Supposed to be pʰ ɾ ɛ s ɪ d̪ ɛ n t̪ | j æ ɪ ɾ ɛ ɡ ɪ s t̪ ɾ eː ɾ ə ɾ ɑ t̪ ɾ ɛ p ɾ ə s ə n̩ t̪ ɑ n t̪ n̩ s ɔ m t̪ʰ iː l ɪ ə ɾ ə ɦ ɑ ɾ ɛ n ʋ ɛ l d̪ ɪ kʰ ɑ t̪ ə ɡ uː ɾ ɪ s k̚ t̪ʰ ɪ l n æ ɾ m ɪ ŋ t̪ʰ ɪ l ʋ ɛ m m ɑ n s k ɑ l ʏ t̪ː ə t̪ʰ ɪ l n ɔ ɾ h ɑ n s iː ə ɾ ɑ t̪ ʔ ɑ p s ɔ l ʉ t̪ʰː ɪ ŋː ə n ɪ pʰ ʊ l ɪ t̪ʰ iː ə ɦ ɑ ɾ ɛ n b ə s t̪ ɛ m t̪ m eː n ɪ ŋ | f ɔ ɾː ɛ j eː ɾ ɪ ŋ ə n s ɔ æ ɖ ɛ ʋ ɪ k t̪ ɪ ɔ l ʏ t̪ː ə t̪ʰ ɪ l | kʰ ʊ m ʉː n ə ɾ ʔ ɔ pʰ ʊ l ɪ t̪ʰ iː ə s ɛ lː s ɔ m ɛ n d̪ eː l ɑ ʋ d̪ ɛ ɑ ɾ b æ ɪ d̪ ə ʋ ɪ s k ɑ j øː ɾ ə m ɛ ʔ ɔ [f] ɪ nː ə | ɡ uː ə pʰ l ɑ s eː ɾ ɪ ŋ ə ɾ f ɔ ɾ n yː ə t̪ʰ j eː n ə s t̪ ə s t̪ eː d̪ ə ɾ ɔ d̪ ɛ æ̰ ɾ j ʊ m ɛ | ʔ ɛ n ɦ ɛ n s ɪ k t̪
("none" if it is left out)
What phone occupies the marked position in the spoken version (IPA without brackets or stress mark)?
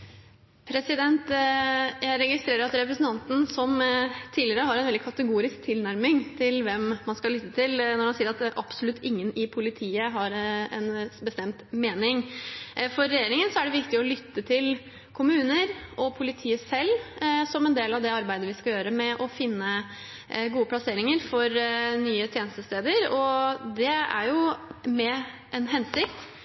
f